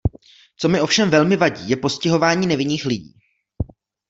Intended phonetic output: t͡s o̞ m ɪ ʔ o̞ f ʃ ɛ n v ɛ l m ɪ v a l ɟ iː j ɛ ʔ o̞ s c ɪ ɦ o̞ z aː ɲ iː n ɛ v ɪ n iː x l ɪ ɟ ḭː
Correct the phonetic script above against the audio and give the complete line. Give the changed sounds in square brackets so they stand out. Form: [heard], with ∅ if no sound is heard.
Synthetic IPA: t͡s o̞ m ɪ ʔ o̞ f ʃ ɛ [m] v ɛ l m ɪ v a [∅] ɟ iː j ɛ [p] o̞ s c ɪ ɦ o̞ [v] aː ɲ iː n ɛ v ɪ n iː x l ɪ ɟ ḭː